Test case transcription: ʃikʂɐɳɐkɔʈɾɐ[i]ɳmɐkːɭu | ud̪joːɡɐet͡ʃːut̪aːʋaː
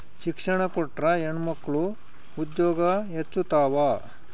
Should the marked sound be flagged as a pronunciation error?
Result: yes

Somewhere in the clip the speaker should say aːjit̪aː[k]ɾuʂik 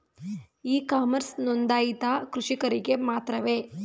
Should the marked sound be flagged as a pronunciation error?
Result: no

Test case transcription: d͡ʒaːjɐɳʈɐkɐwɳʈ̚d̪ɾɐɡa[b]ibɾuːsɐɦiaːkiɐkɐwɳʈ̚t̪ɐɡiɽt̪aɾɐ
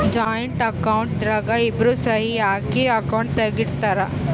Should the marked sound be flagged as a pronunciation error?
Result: yes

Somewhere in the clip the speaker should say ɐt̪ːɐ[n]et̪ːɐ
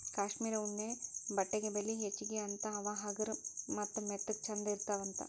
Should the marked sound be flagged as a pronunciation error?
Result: yes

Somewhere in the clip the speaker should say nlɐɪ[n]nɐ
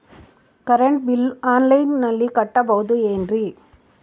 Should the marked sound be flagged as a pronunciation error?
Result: no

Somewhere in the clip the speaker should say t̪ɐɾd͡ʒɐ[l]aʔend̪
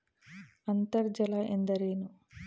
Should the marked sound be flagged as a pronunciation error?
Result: no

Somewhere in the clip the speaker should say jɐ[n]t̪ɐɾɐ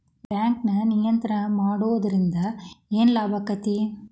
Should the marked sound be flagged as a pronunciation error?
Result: no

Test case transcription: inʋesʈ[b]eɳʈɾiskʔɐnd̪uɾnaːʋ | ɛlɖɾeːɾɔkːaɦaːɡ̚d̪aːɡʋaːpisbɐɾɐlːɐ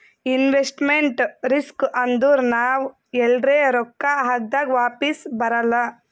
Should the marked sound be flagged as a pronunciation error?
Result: yes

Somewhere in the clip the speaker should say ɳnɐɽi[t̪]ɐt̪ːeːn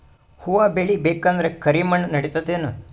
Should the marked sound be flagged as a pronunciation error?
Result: no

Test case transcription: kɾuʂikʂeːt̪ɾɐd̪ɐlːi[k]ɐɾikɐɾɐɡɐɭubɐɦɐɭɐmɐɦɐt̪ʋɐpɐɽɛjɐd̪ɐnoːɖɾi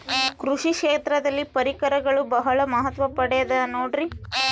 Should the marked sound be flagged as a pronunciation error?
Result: yes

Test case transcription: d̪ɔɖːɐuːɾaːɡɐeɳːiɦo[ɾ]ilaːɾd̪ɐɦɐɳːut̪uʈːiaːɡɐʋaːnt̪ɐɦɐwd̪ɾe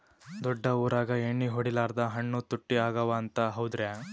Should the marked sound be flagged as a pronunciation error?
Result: yes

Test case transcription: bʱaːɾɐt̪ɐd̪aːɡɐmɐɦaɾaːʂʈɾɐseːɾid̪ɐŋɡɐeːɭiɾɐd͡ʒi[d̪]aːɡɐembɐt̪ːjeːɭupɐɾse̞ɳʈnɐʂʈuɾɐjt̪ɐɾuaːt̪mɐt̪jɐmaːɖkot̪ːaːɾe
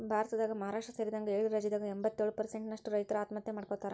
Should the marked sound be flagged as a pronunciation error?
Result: no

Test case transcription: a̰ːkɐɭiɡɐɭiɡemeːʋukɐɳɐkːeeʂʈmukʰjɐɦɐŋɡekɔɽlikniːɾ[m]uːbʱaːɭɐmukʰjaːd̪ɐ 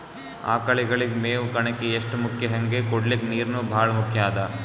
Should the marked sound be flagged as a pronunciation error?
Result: yes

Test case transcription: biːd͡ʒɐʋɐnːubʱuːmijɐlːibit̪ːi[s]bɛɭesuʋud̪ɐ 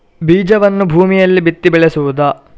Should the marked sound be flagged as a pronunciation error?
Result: yes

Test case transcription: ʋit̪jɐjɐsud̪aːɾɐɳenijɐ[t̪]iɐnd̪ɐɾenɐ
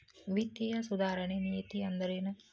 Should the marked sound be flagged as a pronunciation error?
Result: no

